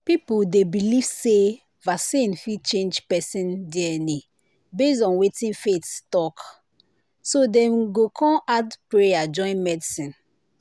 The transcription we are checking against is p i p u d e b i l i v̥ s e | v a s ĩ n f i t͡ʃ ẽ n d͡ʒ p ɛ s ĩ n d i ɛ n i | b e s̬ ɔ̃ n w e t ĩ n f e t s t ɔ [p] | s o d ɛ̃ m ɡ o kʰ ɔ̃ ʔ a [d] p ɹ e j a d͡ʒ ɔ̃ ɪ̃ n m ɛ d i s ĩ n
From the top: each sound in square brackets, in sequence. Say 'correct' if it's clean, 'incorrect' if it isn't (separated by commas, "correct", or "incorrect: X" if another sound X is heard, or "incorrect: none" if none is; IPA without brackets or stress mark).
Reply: incorrect: k, correct